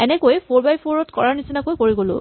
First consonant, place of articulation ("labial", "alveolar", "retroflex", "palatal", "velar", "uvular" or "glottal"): alveolar